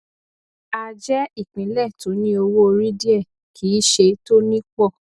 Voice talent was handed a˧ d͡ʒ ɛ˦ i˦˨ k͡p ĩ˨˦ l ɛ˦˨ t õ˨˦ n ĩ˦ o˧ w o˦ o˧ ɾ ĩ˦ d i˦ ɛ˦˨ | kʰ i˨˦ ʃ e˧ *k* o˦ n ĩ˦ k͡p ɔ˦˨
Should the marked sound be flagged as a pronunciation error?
yes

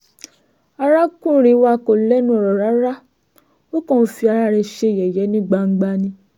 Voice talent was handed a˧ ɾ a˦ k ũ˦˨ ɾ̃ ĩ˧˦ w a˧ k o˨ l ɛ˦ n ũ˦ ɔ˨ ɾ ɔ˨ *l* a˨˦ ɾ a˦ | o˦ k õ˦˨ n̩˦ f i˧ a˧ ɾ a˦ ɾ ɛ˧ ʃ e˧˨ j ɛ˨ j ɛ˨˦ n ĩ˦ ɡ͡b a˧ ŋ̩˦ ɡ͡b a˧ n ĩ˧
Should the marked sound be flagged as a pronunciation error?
yes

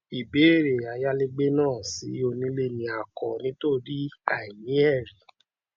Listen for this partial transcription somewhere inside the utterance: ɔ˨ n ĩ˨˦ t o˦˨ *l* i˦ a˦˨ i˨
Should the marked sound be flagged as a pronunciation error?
yes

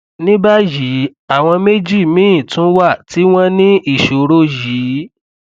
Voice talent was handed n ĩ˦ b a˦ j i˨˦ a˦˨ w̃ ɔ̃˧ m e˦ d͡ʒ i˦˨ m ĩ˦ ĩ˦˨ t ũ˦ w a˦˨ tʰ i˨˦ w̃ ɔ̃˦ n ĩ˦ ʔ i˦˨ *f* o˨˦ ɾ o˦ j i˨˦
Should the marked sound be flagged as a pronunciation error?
yes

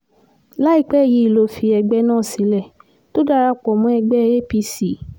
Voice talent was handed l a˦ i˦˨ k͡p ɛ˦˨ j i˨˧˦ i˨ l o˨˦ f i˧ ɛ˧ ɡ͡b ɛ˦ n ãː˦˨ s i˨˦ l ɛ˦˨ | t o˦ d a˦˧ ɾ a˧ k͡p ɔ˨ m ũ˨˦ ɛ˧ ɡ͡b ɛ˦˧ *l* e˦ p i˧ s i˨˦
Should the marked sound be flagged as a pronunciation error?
yes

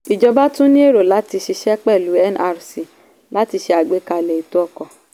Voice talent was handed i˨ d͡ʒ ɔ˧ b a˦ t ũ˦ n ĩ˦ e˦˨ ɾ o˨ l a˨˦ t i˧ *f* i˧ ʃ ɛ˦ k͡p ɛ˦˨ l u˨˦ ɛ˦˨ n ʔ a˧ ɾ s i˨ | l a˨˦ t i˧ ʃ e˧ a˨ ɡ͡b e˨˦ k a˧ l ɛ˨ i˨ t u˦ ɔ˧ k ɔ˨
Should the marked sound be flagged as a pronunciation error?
yes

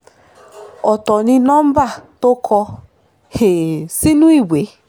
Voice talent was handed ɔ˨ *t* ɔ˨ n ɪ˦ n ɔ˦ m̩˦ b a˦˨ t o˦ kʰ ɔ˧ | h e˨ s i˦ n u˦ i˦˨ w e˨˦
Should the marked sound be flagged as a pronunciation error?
no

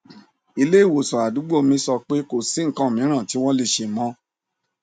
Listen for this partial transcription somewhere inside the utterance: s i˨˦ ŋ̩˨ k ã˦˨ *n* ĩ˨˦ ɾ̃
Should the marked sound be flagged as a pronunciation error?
yes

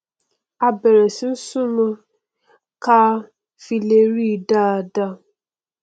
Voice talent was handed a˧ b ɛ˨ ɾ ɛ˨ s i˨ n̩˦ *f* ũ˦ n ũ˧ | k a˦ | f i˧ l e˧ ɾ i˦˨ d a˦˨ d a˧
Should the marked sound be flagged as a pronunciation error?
yes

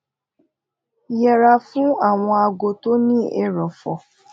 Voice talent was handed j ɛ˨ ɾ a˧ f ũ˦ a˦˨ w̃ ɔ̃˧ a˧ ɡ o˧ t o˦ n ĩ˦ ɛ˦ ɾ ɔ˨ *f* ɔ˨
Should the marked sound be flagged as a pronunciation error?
no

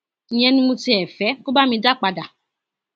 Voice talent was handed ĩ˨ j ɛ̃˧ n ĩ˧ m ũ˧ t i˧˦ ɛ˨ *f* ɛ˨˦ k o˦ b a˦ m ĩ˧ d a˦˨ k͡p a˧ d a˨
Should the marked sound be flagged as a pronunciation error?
no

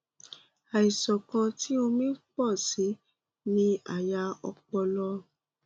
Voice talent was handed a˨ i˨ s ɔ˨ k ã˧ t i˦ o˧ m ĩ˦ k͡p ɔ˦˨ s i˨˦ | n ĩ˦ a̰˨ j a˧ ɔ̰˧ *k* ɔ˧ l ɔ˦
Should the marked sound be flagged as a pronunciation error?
yes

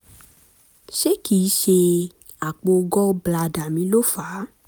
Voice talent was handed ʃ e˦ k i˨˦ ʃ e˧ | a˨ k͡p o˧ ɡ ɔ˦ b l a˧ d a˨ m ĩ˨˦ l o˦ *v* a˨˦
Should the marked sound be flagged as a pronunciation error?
yes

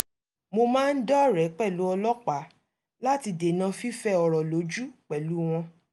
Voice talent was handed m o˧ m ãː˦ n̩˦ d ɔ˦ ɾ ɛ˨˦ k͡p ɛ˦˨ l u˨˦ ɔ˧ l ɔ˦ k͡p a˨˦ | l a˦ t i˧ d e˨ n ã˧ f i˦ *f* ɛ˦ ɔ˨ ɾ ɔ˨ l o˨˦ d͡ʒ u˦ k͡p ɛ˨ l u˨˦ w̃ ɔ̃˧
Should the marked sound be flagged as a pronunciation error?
no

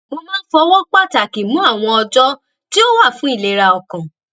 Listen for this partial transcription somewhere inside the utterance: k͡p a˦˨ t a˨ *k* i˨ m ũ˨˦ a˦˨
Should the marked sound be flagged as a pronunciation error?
no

